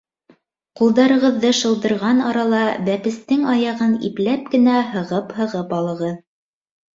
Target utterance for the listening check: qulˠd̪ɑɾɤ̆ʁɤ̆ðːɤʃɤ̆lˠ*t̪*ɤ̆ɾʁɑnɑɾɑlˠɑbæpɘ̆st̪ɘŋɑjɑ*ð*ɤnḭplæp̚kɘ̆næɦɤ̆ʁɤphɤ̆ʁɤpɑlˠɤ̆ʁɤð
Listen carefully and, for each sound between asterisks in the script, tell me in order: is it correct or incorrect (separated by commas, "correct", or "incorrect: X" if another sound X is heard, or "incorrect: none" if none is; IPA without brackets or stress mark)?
incorrect: d̪, incorrect: ʁ